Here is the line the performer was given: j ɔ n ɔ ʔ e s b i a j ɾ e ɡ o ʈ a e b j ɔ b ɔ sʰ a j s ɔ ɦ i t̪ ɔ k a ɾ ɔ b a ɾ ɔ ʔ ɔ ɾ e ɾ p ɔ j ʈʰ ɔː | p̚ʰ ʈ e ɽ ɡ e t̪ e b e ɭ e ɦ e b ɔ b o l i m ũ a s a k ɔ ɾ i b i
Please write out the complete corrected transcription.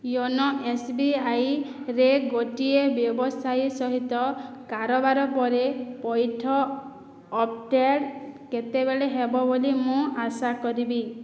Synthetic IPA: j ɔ n ɔ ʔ e s b i a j ɾ e ɡ o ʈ i e b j ɔ b ɔ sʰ a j s ɔ ɦ i t̪ ɔ k a ɾ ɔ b a ɾ ɔ p ɔ ɾ e p ɔ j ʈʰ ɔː | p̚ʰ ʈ e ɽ k e t̪ e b e ɭ e ɦ e b ɔ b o l i m ũ a s a k ɔ ɾ i b i